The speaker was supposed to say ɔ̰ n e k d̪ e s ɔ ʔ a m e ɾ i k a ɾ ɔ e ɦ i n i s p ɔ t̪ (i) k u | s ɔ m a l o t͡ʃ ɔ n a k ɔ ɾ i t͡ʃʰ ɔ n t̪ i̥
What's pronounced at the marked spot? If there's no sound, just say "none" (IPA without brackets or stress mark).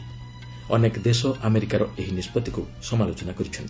i